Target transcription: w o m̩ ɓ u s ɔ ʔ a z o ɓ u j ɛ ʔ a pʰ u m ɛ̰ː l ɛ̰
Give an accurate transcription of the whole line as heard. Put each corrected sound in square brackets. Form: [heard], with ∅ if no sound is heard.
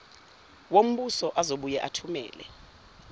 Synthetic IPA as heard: w o m̩ ɓ u s ɔ ʔ a z o ɓ u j ɛ ʔ a [tʰ] u m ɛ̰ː l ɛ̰

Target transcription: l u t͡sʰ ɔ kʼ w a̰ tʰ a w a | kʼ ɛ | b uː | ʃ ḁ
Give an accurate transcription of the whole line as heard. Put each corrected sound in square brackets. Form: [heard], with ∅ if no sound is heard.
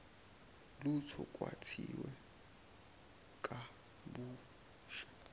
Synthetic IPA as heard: l u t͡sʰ ɔ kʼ w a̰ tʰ [i] w [ɛ] | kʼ [a] | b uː | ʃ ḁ

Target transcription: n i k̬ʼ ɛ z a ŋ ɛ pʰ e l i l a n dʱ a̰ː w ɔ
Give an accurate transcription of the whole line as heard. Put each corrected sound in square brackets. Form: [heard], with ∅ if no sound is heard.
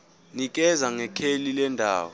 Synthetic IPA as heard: n i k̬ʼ ɛ z a ŋ ɛ [kʰ] e l i l [ɛ] n dʱ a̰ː w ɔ

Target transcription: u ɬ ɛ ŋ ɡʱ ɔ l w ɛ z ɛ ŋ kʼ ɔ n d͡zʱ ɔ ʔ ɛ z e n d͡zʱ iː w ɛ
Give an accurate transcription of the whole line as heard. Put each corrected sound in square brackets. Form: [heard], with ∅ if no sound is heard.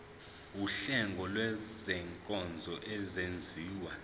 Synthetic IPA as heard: u ɬ ɛ ŋ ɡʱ ɔ l w ɛ z ɛ ŋ kʼ ɔ n d͡zʱ ɔ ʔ ɛ z e n d͡zʱ iː w [a]

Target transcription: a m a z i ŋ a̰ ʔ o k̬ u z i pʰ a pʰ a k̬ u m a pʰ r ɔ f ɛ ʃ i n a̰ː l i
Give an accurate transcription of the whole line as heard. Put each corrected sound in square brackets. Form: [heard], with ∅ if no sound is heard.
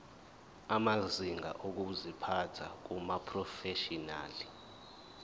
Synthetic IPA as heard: a m a z i ŋ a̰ ʔ o k̬ u z i pʰ a [tʰ] a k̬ u m a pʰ r ɔ f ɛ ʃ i n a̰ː l i

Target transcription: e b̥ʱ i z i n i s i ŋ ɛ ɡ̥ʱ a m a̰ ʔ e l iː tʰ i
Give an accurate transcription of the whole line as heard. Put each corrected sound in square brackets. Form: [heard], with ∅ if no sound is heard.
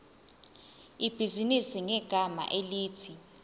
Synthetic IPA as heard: [i] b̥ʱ i z i n i s i ŋ ɛ ɡ̥ʱ a m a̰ ʔ e l iː tʰ i

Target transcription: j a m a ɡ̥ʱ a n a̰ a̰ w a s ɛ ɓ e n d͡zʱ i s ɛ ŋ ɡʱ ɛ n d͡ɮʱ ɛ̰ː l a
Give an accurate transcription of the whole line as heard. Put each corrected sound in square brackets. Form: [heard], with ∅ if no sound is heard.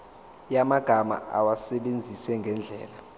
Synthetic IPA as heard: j a m a ɡ̥ʱ a [m] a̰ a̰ w a s ɛ ɓ e n d͡zʱ i s ɛ ŋ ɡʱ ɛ n d͡ɮʱ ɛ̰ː l a

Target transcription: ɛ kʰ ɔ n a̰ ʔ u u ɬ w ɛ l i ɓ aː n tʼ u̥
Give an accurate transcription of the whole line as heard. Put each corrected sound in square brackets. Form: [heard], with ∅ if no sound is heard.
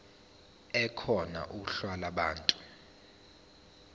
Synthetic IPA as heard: ɛ kʰ ɔ n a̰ ʔ u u ɬ w [a] l [a] ɓ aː n tʼ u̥

